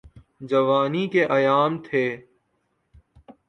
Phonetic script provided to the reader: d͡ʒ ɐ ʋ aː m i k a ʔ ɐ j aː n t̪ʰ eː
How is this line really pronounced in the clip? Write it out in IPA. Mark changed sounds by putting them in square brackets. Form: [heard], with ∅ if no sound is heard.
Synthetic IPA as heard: d͡ʒ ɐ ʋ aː [n] i k [e] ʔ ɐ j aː [m] t̪ʰ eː

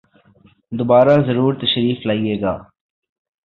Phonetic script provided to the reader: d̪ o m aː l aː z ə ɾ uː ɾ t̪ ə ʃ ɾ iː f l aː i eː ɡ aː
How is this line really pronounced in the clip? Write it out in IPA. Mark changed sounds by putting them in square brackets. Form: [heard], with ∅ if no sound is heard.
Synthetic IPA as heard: d̪ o [b] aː [ɾ] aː z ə ɾ uː ɾ t̪ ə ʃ ɾ iː f l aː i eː ɡ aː

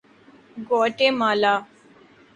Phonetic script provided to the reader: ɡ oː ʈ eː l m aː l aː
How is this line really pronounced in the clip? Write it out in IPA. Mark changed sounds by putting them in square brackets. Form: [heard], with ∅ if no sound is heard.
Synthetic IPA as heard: ɡ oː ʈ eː [∅] m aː l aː

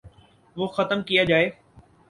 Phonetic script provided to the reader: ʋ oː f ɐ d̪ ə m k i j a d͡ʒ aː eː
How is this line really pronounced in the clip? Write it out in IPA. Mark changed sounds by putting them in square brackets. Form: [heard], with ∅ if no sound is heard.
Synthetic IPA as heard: ʋ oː [x] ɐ [t̪] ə m k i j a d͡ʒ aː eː

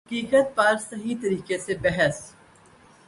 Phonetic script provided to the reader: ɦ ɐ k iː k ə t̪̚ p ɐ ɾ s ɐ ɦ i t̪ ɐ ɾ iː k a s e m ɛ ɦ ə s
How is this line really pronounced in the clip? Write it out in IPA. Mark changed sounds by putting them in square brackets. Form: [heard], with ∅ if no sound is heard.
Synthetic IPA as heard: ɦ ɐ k iː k ə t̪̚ p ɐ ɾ s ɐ ɦ i t̪ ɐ ɾ iː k [e] s e [b] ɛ ɦ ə s

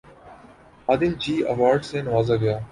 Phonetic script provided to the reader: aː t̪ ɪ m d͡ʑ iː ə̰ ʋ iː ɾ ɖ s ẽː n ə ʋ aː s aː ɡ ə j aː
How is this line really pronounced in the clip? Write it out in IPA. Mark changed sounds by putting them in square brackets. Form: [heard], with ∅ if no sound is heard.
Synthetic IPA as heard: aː [d̪] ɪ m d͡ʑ iː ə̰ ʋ [aː] ɾ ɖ s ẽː n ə ʋ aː [z] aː ɡ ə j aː

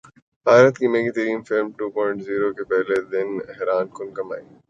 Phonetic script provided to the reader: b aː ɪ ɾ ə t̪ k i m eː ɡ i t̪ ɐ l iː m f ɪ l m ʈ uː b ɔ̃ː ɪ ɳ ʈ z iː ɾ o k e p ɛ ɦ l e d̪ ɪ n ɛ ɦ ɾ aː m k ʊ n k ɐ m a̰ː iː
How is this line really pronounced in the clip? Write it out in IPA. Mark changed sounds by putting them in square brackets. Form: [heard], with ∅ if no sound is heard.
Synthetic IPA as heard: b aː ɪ ɾ ə t̪ k i m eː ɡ i t̪ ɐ [ɾ] iː m f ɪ l m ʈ uː [p] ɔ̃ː ɪ ɳ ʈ z iː ɾ o k e p ɛ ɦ l e d̪ ɪ n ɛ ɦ ɾ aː [n] k ʊ n k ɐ m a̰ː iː

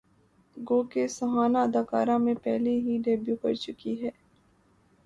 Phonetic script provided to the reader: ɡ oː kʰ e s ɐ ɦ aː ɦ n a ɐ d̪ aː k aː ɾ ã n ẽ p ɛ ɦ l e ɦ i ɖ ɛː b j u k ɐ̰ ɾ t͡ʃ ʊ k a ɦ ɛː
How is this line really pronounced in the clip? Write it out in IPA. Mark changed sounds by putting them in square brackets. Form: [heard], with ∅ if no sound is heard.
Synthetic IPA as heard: ɡ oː [k] e s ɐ ɦ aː [∅] n a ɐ d̪ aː k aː ɾ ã [m] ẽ p ɛ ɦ l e ɦ i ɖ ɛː b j u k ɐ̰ ɾ t͡ʃ ʊ k [i] ɦ ɛː

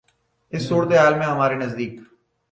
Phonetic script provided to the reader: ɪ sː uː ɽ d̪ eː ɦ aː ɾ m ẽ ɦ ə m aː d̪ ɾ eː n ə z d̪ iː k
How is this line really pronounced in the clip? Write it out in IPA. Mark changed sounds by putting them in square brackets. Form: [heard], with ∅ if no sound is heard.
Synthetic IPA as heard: ɪ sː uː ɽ [t̪] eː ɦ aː [l] m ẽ ɦ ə m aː [∅] ɾ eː n ə z d̪ iː k

